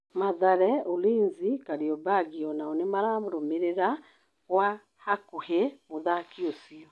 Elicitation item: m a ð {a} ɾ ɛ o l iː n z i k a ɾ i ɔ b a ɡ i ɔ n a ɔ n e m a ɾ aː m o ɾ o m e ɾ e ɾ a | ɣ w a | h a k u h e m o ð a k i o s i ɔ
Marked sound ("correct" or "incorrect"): correct